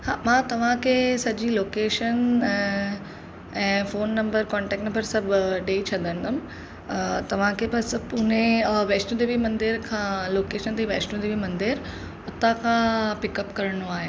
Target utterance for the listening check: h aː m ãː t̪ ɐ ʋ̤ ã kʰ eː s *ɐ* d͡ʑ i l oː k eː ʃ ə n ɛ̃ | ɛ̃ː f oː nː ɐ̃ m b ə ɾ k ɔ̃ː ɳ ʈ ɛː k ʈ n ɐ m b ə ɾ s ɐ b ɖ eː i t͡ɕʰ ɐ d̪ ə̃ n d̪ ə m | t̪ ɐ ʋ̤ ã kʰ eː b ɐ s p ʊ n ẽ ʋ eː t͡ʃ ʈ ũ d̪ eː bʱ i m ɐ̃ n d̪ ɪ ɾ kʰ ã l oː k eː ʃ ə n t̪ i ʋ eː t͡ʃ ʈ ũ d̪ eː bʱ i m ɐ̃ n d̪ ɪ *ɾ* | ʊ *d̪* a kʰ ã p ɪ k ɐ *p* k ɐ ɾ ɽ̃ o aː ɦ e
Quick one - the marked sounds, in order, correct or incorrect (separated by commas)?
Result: correct, correct, incorrect, correct